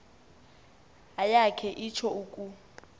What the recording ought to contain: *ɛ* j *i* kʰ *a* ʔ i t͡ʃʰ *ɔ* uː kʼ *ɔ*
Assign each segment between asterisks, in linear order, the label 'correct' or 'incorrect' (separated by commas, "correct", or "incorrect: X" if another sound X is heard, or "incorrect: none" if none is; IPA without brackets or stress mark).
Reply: incorrect: a, incorrect: a, incorrect: ɛ, correct, incorrect: u